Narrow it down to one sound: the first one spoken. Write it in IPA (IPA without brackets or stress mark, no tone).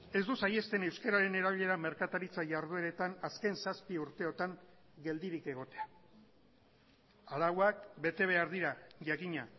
e̞